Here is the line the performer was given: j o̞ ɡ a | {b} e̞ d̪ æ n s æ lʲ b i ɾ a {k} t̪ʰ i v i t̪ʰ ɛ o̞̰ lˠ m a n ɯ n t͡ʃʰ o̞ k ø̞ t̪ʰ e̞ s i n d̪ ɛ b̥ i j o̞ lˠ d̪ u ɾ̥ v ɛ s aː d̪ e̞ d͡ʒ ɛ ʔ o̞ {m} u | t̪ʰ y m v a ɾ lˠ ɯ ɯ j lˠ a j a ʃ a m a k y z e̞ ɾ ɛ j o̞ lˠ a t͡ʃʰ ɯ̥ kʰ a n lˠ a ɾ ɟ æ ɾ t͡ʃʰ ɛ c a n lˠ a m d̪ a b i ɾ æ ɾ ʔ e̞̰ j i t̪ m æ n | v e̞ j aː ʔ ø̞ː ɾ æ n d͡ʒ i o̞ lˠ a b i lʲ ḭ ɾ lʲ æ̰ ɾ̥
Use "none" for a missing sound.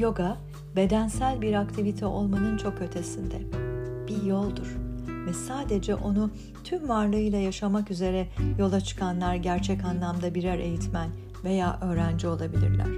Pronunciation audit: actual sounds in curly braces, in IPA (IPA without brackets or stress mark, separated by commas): b, k, n